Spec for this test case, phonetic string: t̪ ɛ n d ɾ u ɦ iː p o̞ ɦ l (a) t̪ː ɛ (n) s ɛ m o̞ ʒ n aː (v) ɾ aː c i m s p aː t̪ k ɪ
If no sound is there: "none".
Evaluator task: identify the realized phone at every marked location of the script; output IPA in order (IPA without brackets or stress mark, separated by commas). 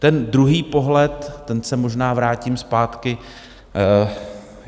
ɛ, n, v